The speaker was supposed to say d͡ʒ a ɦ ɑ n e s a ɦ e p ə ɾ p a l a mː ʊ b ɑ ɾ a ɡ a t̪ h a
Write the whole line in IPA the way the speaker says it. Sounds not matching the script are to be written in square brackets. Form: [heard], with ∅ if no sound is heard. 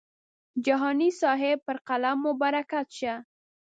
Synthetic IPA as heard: d͡ʒ a ɦ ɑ n [i] s [ɑ] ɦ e p ə ɾ [q] a l a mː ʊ b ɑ ɾ a [k] a t̪ [ʃ] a